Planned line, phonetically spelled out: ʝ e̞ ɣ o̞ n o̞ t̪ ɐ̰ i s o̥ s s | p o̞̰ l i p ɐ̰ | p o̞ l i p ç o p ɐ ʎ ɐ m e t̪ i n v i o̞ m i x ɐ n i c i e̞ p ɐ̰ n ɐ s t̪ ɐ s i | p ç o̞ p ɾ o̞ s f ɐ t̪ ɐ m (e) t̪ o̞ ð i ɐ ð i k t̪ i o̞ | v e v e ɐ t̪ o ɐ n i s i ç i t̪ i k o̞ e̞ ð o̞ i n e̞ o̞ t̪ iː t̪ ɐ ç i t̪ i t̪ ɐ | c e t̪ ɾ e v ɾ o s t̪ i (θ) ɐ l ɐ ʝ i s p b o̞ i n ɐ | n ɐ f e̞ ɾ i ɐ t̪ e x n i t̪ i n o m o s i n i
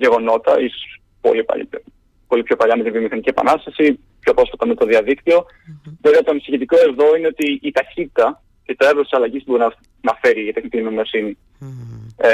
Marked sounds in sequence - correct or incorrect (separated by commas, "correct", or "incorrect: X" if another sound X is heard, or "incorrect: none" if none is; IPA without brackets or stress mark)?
correct, incorrect: s